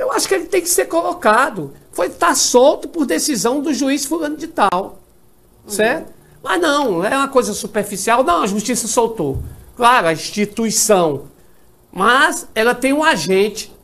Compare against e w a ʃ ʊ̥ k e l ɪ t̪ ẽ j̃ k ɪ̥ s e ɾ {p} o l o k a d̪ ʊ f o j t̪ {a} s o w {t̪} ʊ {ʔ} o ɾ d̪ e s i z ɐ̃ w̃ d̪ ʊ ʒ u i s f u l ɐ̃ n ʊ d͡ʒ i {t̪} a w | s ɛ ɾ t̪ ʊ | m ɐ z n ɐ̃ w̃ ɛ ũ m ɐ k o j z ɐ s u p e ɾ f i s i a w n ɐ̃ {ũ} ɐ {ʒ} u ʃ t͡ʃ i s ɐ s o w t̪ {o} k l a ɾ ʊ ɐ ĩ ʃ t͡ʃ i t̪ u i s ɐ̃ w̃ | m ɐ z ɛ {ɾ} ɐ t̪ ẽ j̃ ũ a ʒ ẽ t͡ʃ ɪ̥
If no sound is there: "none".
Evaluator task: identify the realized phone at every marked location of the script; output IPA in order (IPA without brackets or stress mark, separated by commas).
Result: k, a, t̪, p, t̪, w̃, ʒ, o, l